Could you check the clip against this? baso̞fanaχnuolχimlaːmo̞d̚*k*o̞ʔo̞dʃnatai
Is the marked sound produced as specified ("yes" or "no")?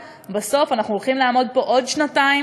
no